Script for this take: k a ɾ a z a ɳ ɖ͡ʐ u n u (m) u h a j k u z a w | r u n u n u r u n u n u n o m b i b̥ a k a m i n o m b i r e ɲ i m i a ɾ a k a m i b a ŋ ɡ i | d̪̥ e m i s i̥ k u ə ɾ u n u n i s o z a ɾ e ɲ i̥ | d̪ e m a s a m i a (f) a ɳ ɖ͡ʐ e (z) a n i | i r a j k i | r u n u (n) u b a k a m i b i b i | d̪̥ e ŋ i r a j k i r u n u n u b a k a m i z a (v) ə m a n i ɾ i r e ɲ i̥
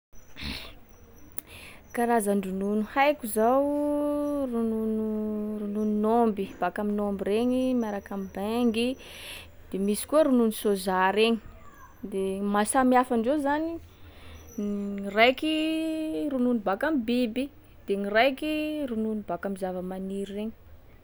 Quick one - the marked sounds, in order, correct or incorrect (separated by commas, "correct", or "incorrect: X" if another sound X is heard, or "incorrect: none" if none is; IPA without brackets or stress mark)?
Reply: incorrect: n, correct, correct, correct, correct